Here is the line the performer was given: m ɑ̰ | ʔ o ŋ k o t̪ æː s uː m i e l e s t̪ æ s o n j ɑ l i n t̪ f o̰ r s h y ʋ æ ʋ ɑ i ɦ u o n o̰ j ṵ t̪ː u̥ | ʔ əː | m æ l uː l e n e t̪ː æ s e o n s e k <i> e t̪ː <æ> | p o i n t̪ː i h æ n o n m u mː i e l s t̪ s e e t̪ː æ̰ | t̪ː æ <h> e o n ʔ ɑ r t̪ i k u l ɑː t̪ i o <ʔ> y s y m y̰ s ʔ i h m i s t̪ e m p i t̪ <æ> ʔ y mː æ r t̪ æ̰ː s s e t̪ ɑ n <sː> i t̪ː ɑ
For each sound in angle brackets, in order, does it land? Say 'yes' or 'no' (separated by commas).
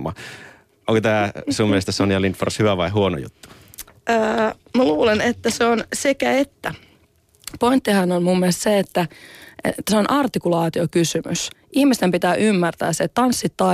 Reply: no, yes, no, no, no, yes